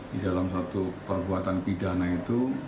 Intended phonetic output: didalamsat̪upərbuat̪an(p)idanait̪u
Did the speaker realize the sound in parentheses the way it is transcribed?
yes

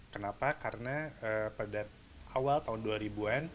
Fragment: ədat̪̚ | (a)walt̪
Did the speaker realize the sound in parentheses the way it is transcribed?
yes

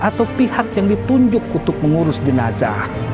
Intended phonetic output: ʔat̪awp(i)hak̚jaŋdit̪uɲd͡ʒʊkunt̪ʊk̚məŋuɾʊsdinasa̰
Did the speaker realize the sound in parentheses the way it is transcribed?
yes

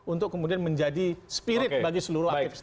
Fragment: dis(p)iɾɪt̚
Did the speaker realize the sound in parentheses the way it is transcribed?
yes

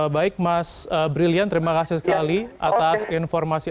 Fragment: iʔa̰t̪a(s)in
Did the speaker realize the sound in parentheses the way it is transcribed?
yes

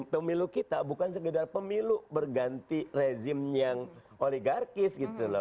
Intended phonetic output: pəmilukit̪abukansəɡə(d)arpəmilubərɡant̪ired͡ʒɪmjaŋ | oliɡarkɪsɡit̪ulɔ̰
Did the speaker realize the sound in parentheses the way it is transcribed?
yes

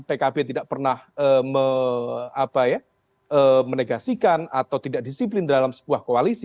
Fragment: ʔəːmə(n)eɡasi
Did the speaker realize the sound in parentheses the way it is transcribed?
yes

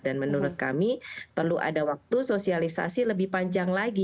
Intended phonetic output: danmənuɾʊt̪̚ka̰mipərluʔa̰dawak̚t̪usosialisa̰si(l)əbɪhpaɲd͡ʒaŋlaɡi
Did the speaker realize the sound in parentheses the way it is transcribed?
yes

